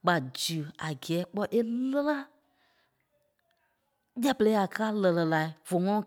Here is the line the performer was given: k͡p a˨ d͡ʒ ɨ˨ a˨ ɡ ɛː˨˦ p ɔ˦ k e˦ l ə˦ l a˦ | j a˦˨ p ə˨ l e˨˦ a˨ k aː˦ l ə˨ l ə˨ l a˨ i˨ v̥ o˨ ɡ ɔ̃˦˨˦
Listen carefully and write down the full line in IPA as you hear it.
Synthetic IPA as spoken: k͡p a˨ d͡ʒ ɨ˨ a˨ ɡ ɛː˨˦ k͡p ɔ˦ ʔ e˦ l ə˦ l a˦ | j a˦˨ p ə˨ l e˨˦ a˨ k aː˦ l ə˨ l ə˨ l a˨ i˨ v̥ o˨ ŋ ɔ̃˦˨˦